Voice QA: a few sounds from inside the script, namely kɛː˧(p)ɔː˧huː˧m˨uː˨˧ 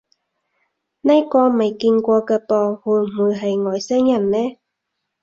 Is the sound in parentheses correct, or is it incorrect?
correct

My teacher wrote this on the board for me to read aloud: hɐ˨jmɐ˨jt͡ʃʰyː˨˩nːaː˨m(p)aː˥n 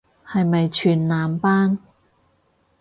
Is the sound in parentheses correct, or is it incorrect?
correct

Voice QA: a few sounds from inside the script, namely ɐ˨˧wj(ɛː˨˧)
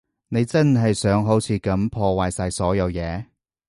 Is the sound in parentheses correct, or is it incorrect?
correct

